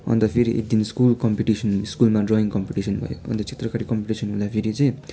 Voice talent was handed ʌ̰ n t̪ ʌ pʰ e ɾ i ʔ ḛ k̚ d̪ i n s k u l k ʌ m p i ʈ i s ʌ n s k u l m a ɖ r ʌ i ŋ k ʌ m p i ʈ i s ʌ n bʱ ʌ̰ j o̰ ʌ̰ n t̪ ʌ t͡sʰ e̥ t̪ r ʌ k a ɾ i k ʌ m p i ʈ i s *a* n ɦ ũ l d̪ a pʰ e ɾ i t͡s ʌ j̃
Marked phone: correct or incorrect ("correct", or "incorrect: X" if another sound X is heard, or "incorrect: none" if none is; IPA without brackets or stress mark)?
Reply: incorrect: ʌ